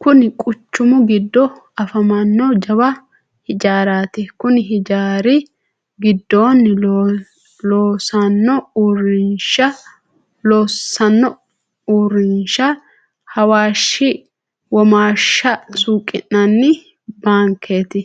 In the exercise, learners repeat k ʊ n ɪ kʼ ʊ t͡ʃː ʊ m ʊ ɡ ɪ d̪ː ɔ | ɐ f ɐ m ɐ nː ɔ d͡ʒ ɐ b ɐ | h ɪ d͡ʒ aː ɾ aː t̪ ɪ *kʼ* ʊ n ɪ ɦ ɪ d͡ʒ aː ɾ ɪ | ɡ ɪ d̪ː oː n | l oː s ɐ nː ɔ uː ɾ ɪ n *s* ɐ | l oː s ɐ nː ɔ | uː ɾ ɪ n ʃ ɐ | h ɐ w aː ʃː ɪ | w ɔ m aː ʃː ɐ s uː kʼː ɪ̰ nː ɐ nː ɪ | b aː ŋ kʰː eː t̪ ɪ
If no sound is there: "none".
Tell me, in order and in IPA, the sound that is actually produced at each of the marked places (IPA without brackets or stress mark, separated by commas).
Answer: k, ʃ